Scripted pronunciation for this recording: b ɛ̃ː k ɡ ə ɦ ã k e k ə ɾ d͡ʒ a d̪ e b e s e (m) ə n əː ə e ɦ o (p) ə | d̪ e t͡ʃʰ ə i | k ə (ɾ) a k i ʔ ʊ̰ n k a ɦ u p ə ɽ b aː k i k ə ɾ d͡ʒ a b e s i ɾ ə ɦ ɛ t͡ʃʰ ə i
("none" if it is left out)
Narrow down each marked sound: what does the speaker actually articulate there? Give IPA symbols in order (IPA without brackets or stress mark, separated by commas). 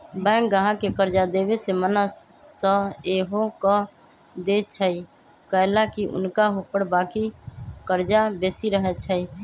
m, k, l